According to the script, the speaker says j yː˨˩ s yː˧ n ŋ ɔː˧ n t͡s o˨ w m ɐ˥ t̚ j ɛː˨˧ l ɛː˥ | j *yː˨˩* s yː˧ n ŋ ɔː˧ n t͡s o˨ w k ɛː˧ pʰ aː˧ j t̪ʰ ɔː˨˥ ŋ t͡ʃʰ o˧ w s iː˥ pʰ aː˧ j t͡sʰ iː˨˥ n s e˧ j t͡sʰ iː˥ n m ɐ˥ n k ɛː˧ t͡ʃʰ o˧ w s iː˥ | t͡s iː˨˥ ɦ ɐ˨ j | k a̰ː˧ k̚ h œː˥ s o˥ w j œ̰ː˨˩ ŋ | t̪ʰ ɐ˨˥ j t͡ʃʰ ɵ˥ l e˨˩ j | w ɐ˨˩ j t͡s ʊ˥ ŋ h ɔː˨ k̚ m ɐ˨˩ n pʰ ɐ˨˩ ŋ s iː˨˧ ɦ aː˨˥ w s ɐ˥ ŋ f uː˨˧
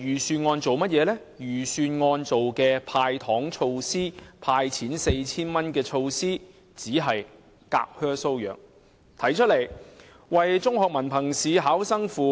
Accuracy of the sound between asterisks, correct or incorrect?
correct